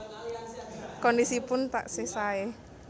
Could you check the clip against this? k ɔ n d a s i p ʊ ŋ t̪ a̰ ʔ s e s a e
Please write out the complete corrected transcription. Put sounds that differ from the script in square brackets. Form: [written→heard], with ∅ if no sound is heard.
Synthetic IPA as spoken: k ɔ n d [a→i] s i p ʊ [ŋ→n] t̪ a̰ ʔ s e s a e

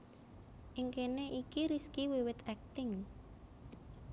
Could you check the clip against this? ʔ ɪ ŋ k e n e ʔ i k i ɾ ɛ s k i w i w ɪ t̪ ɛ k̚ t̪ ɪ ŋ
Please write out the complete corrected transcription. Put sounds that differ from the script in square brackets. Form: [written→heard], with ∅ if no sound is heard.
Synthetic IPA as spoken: ʔ ɪ ŋ k e n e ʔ i k i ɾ [ɛ→i] s k i w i w ɪ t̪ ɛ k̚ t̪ ɪ ŋ

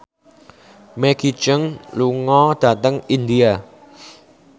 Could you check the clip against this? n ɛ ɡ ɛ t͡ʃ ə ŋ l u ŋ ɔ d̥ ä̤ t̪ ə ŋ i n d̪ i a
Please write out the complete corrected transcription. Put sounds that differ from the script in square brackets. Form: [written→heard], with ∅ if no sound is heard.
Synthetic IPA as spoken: [n→m] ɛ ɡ [ɛ→i] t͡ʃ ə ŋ l u ŋ ɔ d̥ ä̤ t̪ ə ŋ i n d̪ i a

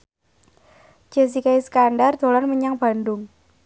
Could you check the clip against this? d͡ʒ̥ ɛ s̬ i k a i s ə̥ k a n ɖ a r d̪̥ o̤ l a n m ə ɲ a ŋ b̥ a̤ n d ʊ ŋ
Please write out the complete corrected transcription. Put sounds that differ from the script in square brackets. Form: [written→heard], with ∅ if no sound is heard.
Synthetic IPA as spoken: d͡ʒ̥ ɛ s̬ i k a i s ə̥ k a n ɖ a r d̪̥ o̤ l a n m ə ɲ a ŋ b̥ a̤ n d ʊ ŋ

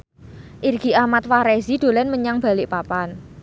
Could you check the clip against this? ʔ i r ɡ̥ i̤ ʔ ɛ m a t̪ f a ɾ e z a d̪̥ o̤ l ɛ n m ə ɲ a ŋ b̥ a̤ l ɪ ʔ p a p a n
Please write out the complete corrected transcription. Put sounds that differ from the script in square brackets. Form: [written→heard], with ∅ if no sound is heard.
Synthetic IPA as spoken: ʔ i r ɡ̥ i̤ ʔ [ɛ→a] m a t̪ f a ɾ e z [a→i] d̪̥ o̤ l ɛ n m ə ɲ a ŋ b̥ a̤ l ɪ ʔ p a p a n

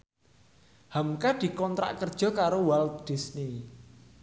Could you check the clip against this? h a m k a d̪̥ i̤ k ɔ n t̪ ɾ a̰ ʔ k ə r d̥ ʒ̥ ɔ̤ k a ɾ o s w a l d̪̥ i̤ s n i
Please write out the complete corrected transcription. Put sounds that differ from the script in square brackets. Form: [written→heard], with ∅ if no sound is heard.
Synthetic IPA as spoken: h a m k a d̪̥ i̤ k ɔ n t̪ ɾ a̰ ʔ k ə r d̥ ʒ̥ ɔ̤ k a ɾ o [s→∅] w a l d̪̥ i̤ s n i

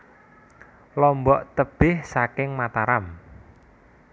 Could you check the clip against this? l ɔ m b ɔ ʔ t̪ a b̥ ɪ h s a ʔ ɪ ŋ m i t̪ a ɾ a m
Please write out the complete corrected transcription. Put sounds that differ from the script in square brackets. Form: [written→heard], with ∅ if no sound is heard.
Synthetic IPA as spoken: l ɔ m b ɔ ʔ t̪ [a→ə] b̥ ɪ h s a [ʔ→k] ɪ ŋ m [i→a] t̪ a ɾ a m

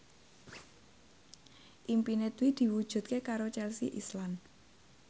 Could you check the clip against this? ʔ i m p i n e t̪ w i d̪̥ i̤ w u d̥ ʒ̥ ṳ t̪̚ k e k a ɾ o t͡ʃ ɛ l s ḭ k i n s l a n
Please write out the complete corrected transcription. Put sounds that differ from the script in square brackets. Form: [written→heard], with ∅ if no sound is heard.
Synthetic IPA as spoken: ʔ i m p i n e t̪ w i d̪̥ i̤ w u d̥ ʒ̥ ṳ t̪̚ k e k a ɾ o t͡ʃ ɛ l s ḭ [k→ʔ] i [n→∅] s l a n

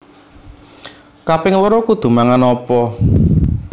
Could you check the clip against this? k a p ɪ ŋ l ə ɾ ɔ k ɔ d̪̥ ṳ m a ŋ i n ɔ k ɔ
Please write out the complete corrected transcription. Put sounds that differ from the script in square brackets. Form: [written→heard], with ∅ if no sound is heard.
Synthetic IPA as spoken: k a p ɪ ŋ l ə ɾ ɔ k [ɔ→u] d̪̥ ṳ m a ŋ [i→a] n ɔ [k→p] ɔ

